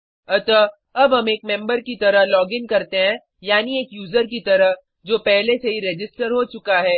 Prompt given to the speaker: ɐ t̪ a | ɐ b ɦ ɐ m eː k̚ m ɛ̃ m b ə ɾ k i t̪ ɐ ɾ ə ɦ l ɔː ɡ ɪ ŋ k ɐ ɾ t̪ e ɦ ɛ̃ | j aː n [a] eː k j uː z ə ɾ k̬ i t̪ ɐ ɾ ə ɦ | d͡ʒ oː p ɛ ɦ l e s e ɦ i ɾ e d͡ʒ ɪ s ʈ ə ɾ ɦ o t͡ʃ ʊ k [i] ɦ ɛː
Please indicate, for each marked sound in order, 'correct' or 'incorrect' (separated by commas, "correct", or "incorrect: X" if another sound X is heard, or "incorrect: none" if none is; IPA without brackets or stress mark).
incorrect: i, incorrect: a